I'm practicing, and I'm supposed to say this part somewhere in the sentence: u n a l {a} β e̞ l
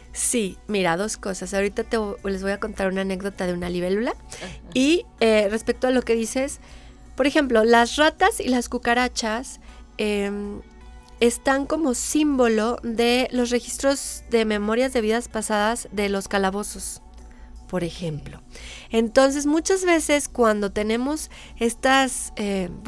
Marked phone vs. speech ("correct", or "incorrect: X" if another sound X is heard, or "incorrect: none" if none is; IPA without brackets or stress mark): incorrect: i